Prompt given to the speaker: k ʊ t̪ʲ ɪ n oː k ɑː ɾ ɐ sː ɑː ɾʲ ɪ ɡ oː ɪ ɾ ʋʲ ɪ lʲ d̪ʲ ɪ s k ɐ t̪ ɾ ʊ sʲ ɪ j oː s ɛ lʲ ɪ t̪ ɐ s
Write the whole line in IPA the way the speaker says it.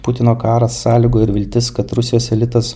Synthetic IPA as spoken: p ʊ t̪ʲ ɪ n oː k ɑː ɾ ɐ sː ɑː lʲ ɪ ɡ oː ɪ ɾ ʋʲ ɪ lʲ t̪ʲ ɪ s k ɐ t̪ ɾ ʊ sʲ ɪ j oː s ɛ lʲ ɪ t̪ ɐ s